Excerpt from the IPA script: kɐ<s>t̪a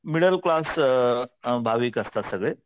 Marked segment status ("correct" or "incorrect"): correct